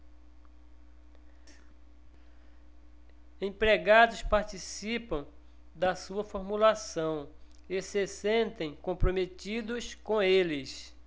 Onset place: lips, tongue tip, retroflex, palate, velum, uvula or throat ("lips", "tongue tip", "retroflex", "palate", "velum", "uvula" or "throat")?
lips